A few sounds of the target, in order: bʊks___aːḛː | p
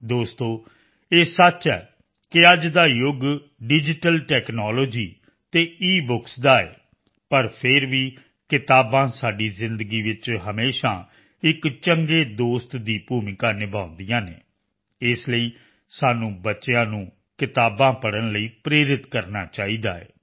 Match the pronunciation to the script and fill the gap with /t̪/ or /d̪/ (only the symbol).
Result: d̪